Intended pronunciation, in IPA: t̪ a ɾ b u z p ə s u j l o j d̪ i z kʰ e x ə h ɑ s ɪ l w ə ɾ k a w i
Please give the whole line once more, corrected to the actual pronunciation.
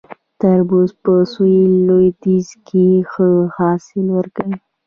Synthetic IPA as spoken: t̪ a ɾ b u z p ə s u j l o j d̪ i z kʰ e x ə h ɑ s ɪ l w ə ɾ k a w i